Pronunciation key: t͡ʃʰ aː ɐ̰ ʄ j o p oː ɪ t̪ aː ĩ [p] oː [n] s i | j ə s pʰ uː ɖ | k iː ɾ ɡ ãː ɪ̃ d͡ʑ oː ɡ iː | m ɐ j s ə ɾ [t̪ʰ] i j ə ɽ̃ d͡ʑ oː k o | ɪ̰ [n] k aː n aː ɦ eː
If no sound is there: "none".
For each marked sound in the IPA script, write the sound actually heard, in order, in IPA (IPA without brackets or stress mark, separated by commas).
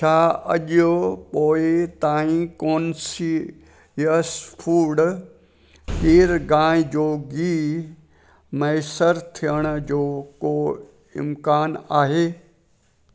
k, n, t̪ʰ, m